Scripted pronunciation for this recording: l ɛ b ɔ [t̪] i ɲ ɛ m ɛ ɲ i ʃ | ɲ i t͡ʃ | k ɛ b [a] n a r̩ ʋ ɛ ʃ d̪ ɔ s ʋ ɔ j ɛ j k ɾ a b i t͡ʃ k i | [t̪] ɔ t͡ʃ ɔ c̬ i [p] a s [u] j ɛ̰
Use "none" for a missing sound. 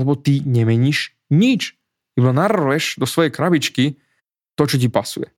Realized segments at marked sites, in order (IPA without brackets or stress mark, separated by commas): t̪, a, t̪, p, u